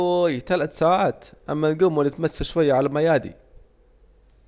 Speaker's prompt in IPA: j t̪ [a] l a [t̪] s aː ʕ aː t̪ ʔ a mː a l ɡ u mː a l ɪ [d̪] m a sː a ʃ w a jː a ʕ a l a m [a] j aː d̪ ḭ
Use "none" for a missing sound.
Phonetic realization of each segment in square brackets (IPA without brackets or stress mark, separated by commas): a, t̪, t̪, a